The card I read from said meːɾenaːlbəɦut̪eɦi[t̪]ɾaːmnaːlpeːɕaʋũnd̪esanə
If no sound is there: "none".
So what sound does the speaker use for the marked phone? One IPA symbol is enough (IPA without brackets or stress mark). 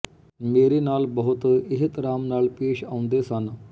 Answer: t̪